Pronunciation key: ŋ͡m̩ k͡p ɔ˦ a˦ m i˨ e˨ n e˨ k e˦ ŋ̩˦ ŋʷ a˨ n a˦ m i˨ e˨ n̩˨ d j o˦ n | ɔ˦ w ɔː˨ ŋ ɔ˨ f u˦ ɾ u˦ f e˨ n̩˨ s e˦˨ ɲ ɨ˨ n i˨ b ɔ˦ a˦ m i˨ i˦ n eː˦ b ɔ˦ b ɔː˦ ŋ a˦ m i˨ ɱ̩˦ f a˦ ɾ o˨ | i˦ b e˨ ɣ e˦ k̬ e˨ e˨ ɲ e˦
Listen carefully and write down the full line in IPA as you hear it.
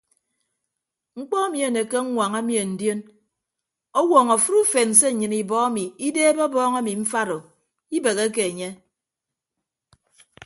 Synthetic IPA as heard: ŋ͡m̩ k͡p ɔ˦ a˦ m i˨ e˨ n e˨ k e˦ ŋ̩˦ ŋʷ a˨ ŋ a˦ m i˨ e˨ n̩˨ d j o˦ n | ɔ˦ w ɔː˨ ŋ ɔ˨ f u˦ ɾ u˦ f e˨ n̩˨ s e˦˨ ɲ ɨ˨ n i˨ b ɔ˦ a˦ m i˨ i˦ d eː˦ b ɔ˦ b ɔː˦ ŋ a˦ m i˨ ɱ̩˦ f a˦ ɾ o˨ | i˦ b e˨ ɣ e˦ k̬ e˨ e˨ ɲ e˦